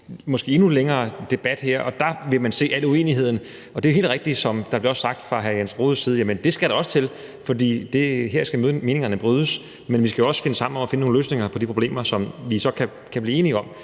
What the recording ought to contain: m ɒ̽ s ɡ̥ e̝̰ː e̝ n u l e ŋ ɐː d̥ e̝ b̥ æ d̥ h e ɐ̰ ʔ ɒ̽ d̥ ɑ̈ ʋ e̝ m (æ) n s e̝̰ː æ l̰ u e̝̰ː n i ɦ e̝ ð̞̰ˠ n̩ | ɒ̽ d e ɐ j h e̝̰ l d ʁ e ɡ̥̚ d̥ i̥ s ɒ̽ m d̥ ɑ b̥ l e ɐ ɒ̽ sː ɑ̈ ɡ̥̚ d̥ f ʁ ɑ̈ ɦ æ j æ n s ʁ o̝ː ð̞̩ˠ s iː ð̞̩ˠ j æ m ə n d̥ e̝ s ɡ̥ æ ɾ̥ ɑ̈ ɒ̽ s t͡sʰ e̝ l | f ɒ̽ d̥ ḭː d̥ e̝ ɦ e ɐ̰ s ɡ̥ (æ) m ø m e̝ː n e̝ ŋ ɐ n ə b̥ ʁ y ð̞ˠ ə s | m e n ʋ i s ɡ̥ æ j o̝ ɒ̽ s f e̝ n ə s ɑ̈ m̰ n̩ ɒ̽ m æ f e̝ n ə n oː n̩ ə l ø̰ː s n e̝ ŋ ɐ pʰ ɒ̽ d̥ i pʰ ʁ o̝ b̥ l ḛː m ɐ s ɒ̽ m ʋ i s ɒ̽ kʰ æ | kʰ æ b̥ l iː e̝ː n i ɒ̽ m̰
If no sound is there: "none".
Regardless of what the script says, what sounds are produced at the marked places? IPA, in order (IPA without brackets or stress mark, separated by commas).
æ, æ